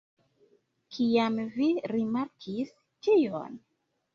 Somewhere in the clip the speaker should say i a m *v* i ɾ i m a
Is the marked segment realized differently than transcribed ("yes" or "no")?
no